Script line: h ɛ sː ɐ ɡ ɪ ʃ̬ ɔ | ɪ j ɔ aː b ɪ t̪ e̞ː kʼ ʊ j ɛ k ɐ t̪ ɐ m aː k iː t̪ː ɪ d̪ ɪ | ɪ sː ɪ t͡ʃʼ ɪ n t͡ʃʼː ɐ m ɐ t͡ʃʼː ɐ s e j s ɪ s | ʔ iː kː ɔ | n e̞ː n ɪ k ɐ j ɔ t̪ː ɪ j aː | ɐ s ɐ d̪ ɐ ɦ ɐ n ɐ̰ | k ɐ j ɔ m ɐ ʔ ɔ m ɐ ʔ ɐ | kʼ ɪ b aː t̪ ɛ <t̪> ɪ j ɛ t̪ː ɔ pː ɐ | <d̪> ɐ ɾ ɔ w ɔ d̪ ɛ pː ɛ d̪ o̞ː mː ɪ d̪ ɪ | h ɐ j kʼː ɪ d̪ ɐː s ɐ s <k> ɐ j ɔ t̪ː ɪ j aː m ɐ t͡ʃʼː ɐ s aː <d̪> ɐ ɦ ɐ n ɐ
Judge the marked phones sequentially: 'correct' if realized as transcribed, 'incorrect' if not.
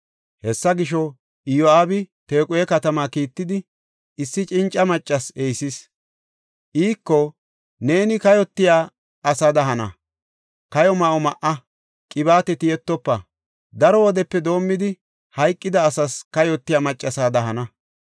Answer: correct, correct, correct, correct

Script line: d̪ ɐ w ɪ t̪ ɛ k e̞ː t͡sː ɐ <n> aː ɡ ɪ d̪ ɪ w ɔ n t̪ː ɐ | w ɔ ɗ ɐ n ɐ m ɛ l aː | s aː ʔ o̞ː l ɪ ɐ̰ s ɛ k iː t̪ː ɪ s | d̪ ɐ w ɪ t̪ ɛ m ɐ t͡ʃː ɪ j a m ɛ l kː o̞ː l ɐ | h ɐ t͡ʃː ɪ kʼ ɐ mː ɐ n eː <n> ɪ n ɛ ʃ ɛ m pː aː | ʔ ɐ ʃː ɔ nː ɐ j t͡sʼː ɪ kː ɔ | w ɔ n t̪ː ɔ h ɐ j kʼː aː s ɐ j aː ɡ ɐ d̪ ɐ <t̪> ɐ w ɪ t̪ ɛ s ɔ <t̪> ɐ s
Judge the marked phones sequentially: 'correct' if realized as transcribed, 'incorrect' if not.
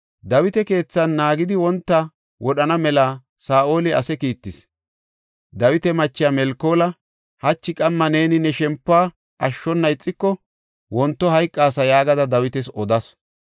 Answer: incorrect: nː, correct, incorrect: d̪, incorrect: d̪

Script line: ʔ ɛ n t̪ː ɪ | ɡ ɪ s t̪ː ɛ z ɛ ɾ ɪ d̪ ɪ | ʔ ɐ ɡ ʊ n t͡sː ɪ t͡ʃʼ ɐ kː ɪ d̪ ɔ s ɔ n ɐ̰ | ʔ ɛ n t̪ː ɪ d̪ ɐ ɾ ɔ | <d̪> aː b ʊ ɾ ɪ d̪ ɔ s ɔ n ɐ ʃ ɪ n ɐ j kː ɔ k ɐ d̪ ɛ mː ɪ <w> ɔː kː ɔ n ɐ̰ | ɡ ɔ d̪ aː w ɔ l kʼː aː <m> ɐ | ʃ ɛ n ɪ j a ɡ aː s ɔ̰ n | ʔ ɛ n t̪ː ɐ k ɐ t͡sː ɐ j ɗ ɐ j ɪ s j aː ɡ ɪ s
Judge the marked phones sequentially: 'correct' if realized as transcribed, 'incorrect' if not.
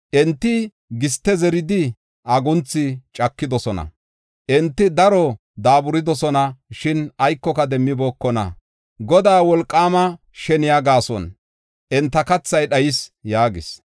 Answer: correct, incorrect: b, correct

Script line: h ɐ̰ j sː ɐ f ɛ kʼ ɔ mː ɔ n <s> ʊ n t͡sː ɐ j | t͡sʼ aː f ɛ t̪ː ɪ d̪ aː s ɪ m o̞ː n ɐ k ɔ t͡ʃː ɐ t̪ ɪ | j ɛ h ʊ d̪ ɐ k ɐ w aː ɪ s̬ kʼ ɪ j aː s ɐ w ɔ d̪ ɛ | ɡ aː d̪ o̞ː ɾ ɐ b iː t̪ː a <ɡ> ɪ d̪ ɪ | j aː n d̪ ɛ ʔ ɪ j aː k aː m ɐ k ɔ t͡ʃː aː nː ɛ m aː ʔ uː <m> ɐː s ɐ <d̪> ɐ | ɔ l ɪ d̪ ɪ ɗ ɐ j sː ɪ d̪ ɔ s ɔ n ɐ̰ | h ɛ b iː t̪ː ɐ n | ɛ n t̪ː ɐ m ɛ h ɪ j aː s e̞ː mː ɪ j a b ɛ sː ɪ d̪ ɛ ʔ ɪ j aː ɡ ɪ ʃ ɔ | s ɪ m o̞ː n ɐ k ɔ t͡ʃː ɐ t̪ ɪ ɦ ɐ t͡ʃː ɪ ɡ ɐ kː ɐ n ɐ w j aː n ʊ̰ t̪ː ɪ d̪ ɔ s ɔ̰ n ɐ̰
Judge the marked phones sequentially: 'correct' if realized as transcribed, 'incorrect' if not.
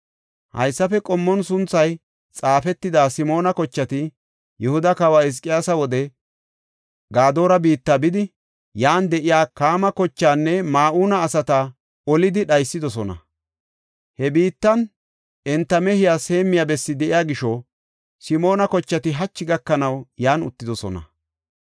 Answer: correct, incorrect: b, incorrect: n, incorrect: t̪

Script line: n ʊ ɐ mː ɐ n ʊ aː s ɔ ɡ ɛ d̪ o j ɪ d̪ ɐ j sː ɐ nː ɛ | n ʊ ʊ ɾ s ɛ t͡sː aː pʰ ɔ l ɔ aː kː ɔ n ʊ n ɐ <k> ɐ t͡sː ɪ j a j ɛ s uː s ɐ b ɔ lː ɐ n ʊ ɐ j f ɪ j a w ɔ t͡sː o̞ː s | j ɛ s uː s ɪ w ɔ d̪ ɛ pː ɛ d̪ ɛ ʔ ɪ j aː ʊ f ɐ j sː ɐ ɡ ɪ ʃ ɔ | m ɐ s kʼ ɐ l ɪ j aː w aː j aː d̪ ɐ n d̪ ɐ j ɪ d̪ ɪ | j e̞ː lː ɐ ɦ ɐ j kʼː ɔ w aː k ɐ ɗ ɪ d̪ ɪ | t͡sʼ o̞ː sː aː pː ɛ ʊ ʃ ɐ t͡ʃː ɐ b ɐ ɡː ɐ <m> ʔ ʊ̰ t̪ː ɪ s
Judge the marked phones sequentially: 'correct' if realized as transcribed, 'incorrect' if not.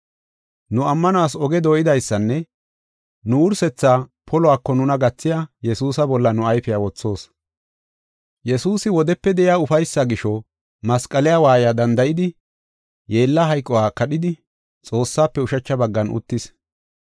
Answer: incorrect: ɡ, incorrect: n

